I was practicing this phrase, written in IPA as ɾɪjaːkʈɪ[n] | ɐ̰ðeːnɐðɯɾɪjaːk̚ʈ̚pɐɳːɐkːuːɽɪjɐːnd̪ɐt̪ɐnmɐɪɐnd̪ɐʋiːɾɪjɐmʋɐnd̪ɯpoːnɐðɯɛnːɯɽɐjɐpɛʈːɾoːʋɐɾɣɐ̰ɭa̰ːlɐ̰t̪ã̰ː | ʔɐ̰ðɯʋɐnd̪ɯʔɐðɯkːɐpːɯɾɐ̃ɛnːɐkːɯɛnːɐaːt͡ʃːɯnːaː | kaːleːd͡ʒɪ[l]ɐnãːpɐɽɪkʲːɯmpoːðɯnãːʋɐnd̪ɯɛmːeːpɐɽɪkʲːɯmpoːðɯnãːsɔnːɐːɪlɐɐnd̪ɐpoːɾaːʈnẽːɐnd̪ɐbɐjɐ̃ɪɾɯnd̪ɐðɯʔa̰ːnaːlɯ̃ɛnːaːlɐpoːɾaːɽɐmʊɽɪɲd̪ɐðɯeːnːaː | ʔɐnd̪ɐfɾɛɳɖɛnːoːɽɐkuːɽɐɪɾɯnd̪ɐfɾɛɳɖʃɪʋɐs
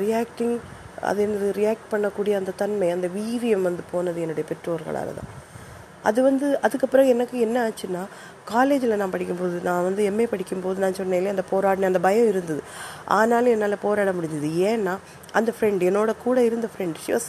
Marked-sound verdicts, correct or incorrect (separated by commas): incorrect, correct